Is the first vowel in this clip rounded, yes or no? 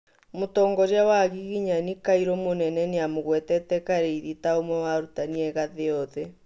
yes